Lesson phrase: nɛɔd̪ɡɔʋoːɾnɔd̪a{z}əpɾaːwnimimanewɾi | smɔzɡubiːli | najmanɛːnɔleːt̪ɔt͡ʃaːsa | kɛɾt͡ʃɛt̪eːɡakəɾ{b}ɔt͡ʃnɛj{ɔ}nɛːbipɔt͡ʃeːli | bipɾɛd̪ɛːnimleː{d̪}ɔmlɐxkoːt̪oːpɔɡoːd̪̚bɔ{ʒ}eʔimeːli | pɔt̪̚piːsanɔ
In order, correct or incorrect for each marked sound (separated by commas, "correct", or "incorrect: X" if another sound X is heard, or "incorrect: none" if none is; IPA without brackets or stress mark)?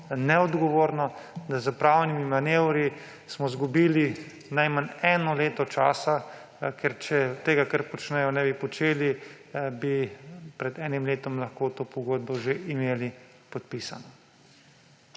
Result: correct, incorrect: p, correct, incorrect: t̪, correct